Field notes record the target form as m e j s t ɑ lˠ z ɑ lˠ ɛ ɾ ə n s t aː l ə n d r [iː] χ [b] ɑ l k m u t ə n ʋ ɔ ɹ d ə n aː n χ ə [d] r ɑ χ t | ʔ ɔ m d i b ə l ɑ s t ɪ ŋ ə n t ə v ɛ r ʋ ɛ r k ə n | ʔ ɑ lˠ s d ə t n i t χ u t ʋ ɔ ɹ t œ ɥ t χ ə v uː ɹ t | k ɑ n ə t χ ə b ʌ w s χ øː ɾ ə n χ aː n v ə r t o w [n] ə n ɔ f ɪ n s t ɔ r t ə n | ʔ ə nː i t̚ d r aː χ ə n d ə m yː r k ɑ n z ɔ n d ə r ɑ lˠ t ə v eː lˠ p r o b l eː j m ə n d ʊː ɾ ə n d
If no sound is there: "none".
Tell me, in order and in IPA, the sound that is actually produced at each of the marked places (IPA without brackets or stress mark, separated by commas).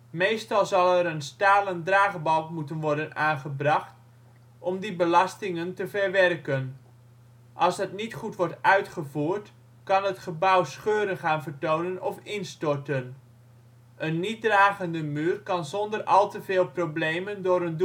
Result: aː, b, b, n